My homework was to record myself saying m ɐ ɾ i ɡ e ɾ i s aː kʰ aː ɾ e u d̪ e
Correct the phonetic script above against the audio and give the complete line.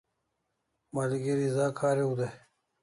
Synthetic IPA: m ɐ l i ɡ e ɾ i z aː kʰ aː ɾ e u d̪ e